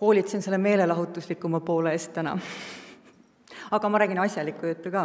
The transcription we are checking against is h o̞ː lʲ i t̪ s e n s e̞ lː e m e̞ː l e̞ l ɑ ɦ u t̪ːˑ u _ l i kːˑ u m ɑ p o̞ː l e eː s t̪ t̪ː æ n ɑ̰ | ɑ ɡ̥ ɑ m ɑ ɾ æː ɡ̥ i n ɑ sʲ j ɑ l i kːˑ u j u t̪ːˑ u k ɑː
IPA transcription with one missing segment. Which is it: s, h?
s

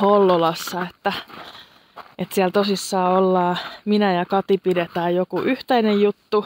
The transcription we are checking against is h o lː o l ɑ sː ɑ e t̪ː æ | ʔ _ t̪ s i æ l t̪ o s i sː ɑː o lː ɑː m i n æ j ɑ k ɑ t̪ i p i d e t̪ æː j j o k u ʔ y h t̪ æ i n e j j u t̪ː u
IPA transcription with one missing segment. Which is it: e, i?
e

